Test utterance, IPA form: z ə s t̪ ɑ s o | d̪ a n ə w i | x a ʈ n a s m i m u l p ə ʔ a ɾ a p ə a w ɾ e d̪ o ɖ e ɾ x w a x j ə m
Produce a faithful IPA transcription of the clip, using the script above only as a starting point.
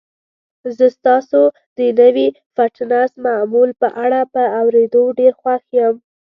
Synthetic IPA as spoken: z ə s t̪ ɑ s o | d̪ ə n ə w i | f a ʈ n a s m a m u l p ə ʔ a ɽ a p ə a w ɾ e d̪ o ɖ e ɾ x w a x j ə m

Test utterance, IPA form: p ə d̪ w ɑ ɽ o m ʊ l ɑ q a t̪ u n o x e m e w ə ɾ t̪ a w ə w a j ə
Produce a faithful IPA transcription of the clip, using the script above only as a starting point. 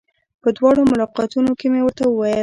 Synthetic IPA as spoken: p ə d̪ w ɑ ɽ o m ʊ l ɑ q ɑ t̪ u n o k e m e w ə ɾ t̪ a w ə w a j ə

